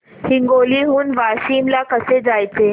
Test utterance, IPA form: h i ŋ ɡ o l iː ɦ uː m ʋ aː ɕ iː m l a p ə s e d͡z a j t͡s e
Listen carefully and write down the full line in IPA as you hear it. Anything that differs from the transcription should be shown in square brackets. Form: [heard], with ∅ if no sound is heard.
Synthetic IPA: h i ŋ ɡ o l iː ɦ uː [n] ʋ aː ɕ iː m l a [k] ə s e d͡z a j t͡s e